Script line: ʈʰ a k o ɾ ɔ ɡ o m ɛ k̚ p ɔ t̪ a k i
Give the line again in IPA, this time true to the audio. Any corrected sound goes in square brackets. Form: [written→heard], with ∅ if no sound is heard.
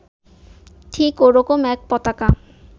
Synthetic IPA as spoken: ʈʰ [a→i] k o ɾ ɔ [ɡ→k] o m ɛ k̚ p ɔ t̪ a k [i→a]